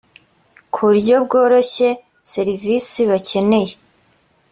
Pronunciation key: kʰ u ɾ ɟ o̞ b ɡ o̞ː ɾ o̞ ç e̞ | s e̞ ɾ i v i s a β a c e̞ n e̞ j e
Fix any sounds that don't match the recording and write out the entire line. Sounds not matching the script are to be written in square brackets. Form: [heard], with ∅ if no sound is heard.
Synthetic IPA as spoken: kʰ u ɾ ɟ o̞ b ɡ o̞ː ɾ o̞ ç e̞ | s e̞ ɾ i v i s [i] β a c e̞ n e̞ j e